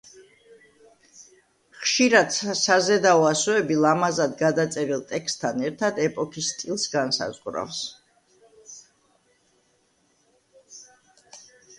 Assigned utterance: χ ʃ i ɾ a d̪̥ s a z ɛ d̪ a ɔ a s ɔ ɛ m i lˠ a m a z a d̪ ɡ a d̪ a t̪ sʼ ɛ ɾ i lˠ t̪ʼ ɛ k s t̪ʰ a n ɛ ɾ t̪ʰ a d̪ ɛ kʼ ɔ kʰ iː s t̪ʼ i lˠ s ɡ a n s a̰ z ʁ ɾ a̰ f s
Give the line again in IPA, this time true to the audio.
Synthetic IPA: χ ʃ i ɾ a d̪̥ s a z ɛ d̪ a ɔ a s ɔ ɛ b i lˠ a m a z a d̪ ɡ a d̪ a t̪ sʼ ɛ ɾ i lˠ t̪ʼ ɛ k s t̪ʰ a n ɛ ɾ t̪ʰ a d̪ ɛ pʼ ɔ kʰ i s t̪ʼ i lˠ s ɡ a n s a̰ z ʁ ɾ a̰ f s